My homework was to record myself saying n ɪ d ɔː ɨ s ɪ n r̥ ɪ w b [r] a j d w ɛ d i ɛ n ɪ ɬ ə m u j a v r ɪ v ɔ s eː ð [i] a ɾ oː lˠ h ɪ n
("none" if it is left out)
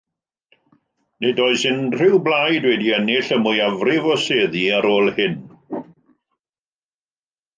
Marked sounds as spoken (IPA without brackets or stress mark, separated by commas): l, i